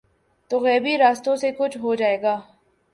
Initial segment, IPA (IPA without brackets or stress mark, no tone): t̪